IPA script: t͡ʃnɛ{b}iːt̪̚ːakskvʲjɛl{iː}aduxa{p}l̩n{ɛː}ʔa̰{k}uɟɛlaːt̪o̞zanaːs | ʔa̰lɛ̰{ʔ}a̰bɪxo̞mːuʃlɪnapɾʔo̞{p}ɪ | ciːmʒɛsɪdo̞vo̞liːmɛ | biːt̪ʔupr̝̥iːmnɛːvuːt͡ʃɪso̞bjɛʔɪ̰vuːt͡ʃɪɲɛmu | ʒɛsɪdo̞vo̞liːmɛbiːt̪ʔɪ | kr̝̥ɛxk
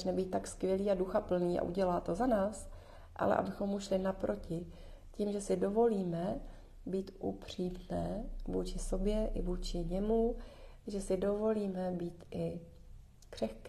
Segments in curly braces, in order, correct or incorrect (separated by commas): correct, correct, correct, incorrect, incorrect, correct, incorrect